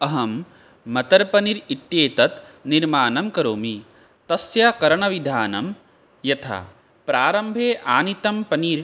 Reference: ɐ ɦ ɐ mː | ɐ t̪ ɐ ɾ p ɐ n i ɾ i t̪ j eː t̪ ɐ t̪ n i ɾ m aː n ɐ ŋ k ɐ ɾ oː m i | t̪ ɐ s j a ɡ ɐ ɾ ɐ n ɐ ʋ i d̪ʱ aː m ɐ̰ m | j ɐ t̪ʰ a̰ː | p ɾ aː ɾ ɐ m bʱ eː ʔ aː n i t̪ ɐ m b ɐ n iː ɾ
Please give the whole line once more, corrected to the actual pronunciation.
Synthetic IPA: ɐ ɦ ɐ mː | ɐ t̪ ɐ ɾ p ɐ n i ɾ i t̪ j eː t̪ ɐ t̪ n i ɾ m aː n ɐ m k ɐ ɾ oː m i | t̪ ɐ s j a k ɐ ɾ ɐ ɳ ɐ ʋ i d̪ʱ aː n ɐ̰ m | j ɐ t̪ʰ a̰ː | p ɾ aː ɾ ɐ m bʱ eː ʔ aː n i t̪ ɐ m p ɐ n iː ɾ

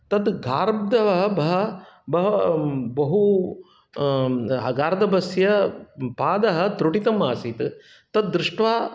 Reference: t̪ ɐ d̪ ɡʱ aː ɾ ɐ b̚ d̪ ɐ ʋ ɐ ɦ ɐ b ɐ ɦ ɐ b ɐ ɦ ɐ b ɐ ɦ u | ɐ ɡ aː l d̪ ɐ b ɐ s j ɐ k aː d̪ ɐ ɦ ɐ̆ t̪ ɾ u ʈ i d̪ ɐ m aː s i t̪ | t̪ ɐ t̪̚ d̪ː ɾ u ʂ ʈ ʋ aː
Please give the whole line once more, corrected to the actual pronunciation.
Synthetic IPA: t̪ ɐ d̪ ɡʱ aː ɾ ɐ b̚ d̪ ɐ ʋ ɐ ɦ ɐ b ɐ ɦ ɐ b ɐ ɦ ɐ b ɐ ɦ u | ɐ ɡ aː ɾ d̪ ɐ b ɐ s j ɐ p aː d̪ ɐ ɦ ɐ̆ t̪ ɾ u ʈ i t̪ ɐ m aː s i t̪ | t̪ ɐ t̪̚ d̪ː ɾ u ʂ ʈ ʋ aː

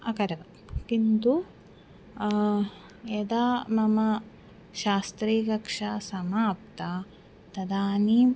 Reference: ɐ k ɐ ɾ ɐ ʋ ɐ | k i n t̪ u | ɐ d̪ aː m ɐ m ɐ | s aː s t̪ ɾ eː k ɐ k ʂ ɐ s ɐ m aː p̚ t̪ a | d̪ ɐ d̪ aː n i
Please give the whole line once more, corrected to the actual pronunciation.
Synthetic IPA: ɐ k ɐ ɾ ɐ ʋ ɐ | k i n t̪ u | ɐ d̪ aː m ɐ m ɐ | ʃ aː s t̪ ɾ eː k ɐ k ʂ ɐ s ɐ m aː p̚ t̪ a | t̪ ɐ d̪ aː n i

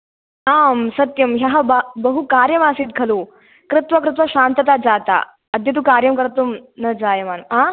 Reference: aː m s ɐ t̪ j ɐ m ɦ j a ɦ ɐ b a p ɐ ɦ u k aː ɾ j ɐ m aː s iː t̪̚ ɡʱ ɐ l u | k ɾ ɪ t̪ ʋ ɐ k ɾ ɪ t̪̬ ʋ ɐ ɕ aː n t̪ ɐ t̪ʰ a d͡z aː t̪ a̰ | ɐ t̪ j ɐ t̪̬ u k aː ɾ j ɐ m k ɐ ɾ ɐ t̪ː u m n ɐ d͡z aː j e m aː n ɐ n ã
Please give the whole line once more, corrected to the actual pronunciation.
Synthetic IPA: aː m s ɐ t̪ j ɐ m ɦ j a ɦ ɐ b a b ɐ ɦ u k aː ɾ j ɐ m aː s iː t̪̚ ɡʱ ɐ l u | k ɾ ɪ t̪ ʋ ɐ k ɾ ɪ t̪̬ ʋ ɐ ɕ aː n t̪ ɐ t̪ a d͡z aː t̪ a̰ | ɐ d̪ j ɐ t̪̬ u k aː ɾ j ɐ m k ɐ ɾ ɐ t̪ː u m n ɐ d͡z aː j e m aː n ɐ m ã

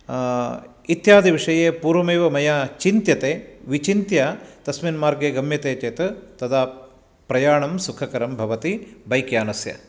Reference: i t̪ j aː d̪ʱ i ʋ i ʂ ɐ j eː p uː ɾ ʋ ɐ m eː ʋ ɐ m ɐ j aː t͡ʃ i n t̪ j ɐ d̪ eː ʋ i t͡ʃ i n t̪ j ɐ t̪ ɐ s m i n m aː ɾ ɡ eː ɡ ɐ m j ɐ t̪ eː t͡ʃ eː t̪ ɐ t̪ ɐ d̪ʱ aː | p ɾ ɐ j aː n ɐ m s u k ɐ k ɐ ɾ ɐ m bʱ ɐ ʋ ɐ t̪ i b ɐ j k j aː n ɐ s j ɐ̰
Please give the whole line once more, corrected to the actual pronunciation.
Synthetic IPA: i t̪ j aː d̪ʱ i ʋ i ʂ ɐ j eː p uː ɾ ʋ ɐ m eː ʋ ɐ m ɐ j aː t͡ʃ i n t̪ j ɐ t̪ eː ʋ i t͡ʃ i n t̪ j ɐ t̪ ɐ s m i n m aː ɾ ɡ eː ɡ ɐ m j ɐ t̪ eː t͡ʃ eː t̪ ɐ t̪ ɐ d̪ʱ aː | p ɾ ɐ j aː ɳ ɐ m s u kʰ ɐ k ɐ ɾ ɐ m bʱ ɐ ʋ ɐ t̪ i b ɐ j k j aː n ɐ s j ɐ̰

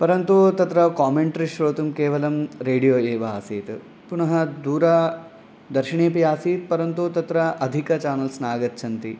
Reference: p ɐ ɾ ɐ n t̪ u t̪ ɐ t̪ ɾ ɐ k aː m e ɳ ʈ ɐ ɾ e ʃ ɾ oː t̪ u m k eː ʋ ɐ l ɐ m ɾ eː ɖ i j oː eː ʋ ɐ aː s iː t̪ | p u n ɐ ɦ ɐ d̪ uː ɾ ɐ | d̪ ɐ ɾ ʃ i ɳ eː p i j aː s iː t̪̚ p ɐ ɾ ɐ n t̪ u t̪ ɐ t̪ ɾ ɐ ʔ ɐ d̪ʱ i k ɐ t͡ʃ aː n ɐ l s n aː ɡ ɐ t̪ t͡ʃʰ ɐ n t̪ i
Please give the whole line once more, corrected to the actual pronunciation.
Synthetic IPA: p ɐ ɾ ɐ n t̪ u t̪ ɐ t̪ ɾ ɐ k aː m e ɳ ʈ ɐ ɾ i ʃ ɾ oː t̪ u m k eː ʋ ɐ l ɐ m ɾ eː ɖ i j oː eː ʋ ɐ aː s iː t̪ | p u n ɐ ɦ ɐ d̪ uː ɾ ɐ | d̪ ɐ ɾ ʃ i ɳ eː p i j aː s iː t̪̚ p ɐ ɾ ɐ n t̪ u t̪ ɐ t̪ ɾ ɐ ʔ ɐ d̪ʱ i k ɐ t͡ʃ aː n ɐ l s n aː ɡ ɐ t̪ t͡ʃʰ ɐ n t̪ i

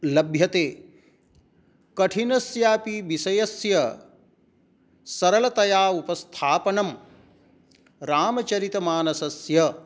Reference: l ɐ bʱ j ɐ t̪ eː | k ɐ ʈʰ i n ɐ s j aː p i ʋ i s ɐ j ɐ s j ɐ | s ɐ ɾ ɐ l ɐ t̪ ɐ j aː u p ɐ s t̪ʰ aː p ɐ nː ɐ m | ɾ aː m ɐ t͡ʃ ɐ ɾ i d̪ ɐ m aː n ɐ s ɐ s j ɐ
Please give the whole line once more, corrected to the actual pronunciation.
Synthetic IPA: l ɐ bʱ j ɐ t̪ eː | k ɐ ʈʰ i n ɐ s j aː p i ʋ i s ɐ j ɐ s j ɐ | s ɐ ɾ ɐ l ɐ t̪ ɐ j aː u p ɐ s t̪ʰ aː p ɐ n ɐ m | ɾ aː m ɐ t͡ʃ ɐ ɾ i t̪ ɐ m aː n ɐ s ɐ s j ɐ

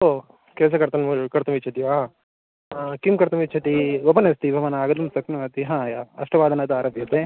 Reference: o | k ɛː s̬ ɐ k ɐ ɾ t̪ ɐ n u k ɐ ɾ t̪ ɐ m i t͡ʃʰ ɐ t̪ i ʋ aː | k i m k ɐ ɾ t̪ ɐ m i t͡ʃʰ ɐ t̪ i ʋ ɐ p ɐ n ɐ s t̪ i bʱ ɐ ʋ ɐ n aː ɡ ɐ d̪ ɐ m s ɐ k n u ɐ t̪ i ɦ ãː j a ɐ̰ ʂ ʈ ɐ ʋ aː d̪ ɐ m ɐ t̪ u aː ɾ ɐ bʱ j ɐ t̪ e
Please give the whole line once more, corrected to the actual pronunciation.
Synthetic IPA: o | k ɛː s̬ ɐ k ɐ ɾ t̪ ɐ n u k ɐ ɾ t̪ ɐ m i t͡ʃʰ ɐ t̪ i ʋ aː | k i m k ɐ ɾ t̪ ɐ m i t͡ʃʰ ɐ t̪ i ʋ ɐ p ɐ n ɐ s t̪ i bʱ ɐ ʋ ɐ n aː ɡ ɐ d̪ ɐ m s ɐ k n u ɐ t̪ i ɦ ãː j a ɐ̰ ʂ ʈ ɐ ʋ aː d̪ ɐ n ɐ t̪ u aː ɾ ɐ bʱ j ɐ t̪ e

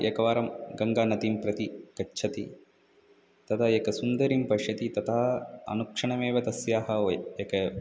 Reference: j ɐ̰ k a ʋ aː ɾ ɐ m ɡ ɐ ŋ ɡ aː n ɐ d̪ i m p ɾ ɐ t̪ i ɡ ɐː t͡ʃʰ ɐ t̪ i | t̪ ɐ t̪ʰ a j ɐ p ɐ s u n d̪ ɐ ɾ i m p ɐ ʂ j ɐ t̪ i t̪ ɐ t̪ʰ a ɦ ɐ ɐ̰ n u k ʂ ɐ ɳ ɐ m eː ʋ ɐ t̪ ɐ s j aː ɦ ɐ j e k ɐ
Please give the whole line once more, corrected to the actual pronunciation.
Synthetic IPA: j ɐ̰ k ɐ ʋ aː ɾ ɐ m ɡ ɐ ŋ ɡ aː n ɐ t̪ i m p ɾ ɐ t̪ i k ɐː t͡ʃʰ ɐ t̪ i | t̪ ɐ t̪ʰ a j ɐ k ɐ s u n d̪ ɐ ɾ i m p ɐ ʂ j ɐ t̪ i t̪ ɐ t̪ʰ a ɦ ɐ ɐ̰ n u k ʂ ɐ ɳ ɐ m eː ʋ ɐ t̪ ɐ s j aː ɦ ɐ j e k ɐ

